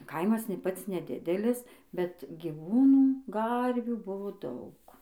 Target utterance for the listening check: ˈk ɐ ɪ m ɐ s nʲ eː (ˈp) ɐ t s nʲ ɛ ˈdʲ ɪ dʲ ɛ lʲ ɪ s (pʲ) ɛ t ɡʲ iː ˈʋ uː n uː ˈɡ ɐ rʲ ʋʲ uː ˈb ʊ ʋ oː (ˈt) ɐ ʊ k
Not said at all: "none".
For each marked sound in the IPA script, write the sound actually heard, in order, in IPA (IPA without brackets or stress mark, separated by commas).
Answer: p, bʲ, d